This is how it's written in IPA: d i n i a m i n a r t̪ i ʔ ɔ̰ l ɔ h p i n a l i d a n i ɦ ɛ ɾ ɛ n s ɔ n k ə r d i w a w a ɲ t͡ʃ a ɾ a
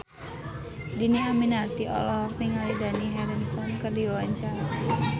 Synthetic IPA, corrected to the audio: d i n i a m i n a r t̪ i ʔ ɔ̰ l ɔ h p i ŋ a l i d a n i ɦ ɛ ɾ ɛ n s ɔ n k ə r d i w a w a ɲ t͡ʃ a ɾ a